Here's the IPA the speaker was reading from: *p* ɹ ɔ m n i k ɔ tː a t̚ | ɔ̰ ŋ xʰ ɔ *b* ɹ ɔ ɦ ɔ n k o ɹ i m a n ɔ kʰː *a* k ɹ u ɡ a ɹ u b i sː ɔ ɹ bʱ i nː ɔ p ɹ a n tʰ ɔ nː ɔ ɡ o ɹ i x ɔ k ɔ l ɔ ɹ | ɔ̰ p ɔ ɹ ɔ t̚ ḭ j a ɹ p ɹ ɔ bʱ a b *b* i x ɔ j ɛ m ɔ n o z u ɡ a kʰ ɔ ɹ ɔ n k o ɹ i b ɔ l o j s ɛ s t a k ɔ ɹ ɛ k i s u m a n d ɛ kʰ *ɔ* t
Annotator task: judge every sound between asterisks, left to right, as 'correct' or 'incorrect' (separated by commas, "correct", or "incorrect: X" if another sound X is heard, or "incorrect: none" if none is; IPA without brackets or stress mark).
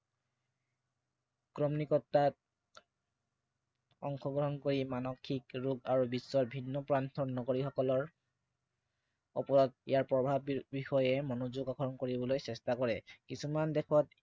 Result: incorrect: k, incorrect: ɡ, incorrect: i, correct, correct